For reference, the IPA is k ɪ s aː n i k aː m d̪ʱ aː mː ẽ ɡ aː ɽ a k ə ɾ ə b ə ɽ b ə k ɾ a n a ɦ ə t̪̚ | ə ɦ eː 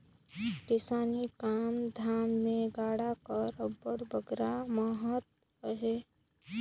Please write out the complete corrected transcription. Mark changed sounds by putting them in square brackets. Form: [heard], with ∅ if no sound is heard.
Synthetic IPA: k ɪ s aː n i k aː m d̪ʱ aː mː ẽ ɡ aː ɽ a k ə ɾ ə b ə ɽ b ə [ɡ] ɾ a [m] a ɦ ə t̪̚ | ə ɦ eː